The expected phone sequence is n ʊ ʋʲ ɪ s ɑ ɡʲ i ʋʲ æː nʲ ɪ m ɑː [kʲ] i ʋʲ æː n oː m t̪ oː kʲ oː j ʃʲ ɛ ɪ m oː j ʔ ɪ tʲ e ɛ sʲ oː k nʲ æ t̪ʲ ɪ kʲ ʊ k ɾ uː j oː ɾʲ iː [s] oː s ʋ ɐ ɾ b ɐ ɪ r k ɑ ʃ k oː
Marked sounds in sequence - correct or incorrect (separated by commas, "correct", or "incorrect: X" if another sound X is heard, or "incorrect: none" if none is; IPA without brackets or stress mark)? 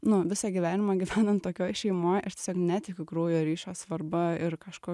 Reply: incorrect: ɡʲ, incorrect: ʃ